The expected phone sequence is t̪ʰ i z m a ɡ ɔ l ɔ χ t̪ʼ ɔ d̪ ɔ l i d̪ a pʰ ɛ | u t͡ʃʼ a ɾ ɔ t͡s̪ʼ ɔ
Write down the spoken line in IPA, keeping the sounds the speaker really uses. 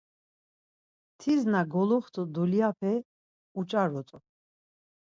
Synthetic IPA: t̪ʰ i z n a ɡ ɔ l ɔ χ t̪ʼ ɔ d̪ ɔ l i a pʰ ɛ | u t͡ʃʼ a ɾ ɔ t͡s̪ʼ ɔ